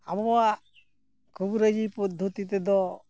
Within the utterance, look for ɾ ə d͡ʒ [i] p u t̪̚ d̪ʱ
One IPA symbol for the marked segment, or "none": i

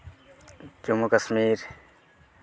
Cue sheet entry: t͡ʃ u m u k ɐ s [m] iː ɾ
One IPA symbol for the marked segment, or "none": m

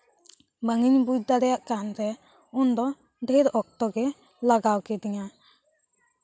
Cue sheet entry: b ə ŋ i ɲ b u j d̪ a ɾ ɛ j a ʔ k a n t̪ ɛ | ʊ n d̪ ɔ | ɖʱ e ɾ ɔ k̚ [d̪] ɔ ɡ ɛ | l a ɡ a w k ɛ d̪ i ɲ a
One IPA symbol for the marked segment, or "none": t̪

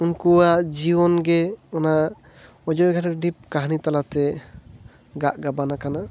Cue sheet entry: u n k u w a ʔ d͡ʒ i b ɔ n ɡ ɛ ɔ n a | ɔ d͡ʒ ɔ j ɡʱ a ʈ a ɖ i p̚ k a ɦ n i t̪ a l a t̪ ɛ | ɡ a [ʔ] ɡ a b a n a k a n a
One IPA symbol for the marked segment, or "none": ʔ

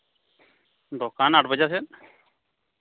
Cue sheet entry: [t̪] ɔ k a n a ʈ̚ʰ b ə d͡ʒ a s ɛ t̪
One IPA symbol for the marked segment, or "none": d̪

